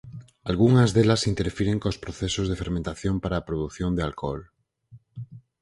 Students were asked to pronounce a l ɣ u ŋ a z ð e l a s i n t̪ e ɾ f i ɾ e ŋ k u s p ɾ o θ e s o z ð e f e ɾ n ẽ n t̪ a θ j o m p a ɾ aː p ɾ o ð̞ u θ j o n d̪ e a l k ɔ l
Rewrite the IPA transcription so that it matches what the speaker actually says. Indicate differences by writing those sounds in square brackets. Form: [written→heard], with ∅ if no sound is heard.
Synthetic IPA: a l ɣ u ŋ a z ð e l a s i n t̪ e ɾ f i ɾ e ŋ k [u→o] s p ɾ o θ e s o z ð e f e ɾ [n→m] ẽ n t̪ a θ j o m p a ɾ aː p ɾ o ð̞ u θ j o n d̪ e a l k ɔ l